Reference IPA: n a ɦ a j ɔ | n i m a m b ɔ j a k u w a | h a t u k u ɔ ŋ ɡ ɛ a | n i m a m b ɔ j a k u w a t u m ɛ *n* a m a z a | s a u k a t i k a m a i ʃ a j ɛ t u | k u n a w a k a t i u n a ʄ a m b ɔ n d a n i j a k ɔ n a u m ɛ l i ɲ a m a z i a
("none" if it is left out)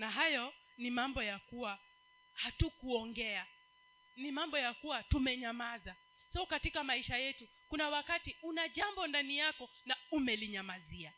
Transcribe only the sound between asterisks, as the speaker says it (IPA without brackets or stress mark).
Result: ɲ